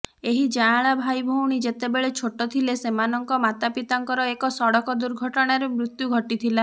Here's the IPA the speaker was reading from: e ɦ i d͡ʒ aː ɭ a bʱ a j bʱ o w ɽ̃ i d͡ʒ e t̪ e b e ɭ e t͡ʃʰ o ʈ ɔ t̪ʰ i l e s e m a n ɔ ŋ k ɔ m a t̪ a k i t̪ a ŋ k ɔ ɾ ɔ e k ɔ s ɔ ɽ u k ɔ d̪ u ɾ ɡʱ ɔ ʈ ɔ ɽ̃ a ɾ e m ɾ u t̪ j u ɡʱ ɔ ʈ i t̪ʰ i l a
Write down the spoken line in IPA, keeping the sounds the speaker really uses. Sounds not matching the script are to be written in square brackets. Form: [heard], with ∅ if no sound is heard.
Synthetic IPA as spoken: e ɦ i d͡ʒ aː ɭ a bʱ a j bʱ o w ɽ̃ i d͡ʒ e t̪ e b e ɭ e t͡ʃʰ o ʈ ɔ t̪ʰ i l e s e m a n ɔ ŋ k ɔ m a t̪ a [p] i t̪ a ŋ k ɔ ɾ ɔ e k ɔ s ɔ ɽ [ɔ] k ɔ d̪ u ɾ ɡʱ ɔ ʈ ɔ ɽ̃ a ɾ e m ɾ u t̪ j u ɡʱ ɔ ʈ i t̪ʰ i l a